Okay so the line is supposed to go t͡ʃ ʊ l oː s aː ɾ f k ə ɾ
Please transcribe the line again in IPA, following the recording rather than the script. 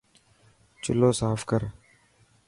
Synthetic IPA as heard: t͡ʃ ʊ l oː s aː f k ə ɾ

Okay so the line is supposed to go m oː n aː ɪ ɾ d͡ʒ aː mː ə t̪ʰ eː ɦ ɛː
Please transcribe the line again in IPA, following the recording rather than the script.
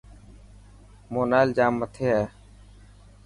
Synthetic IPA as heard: m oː n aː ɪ l d͡ʒ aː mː ə t̪ʰ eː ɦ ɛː

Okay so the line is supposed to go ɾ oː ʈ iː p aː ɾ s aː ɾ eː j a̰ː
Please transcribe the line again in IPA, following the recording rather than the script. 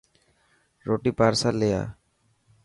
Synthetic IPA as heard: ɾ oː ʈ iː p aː ɾ s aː l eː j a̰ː

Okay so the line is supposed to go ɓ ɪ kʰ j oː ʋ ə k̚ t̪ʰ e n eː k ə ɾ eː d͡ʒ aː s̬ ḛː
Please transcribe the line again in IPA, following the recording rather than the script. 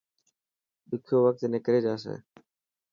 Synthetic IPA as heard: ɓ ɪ kʰ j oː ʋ ə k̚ t̪ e n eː k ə ɾ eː d͡ʒ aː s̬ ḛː

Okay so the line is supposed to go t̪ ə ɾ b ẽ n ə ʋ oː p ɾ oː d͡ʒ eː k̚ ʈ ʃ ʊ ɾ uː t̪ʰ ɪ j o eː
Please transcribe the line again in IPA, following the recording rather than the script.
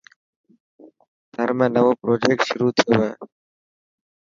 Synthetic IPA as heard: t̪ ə ɾ m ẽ n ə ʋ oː p ɾ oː d͡ʒ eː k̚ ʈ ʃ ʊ ɾ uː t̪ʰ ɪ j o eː

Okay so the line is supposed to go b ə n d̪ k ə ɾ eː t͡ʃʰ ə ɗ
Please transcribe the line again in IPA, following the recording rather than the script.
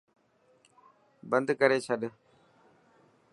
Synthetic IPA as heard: b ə n d̪ k ə ɾ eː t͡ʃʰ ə ɗ

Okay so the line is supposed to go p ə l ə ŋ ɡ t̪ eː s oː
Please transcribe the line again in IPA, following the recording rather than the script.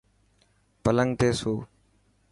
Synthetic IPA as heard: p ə l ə ŋ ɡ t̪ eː s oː

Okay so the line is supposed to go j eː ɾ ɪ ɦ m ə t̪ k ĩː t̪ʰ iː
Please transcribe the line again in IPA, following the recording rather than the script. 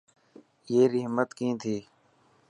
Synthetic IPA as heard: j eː ɾ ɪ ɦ m ə t̪ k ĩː t̪ʰ iː

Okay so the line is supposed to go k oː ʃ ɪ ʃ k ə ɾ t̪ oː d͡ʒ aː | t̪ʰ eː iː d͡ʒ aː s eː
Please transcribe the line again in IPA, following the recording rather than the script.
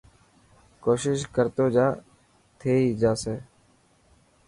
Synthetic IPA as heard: k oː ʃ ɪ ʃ k ə ɾ t̪ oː d͡ʒ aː | t̪ʰ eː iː d͡ʒ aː s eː

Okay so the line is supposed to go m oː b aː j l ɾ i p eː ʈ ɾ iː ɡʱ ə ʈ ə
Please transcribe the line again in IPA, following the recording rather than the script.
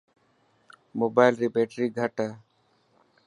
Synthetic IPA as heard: m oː b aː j l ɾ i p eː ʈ ɾ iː ɡʱ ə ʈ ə

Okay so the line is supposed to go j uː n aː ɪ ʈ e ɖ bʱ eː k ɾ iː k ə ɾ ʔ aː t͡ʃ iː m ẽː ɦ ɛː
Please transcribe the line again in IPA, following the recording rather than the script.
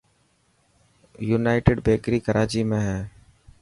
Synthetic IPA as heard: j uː n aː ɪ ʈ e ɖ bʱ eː k ɾ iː k ə ɾ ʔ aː t͡ʃ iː m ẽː ɦ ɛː

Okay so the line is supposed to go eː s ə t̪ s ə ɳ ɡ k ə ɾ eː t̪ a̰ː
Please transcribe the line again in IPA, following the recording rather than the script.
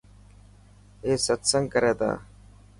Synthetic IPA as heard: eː s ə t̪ s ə ŋ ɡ k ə ɾ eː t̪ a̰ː

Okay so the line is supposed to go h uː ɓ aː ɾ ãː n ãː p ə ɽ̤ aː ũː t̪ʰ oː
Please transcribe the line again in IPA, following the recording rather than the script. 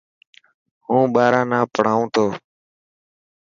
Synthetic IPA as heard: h ũː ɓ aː ɾ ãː n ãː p ə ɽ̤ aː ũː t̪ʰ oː

